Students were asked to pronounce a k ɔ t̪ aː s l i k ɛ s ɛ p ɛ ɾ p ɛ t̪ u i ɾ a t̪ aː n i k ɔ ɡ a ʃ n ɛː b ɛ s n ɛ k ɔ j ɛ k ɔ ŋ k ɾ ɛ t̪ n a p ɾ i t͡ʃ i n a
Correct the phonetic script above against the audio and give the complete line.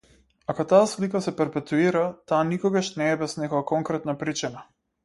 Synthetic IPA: a k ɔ t̪ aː s l i k a s ɛ p ɛ ɾ p ɛ t̪ u i ɾ a t̪ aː n i k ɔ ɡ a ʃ n ɛː b ɛ s n ɛ k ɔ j a k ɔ ŋ k ɾ ɛ t̪ n a p ɾ i t͡ʃ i n a